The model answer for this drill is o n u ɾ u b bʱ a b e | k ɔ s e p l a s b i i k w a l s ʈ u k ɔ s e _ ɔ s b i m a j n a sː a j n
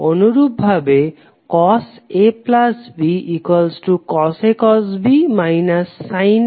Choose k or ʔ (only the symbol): k